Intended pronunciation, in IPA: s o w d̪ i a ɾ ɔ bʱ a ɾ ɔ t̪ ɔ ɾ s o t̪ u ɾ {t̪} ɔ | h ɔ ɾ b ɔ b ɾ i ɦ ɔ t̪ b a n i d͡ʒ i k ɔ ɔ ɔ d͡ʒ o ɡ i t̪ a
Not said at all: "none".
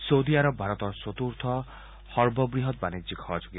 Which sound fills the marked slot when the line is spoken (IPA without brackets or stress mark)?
t̪ʰ